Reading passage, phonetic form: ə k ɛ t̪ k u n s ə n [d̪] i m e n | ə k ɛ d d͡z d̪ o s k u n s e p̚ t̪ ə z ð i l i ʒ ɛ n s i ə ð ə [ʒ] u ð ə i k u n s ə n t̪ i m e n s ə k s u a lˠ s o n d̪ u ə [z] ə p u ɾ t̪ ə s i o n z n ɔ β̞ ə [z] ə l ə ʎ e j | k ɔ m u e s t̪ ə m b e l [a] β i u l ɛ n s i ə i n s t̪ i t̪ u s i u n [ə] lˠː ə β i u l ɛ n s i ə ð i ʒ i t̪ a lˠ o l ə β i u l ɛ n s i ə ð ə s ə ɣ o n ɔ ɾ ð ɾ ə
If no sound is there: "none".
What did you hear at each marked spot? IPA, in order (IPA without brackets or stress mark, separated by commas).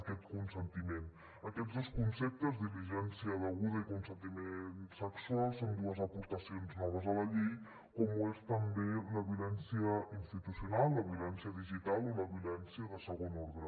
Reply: t̪, ɣ, z, z, ə, a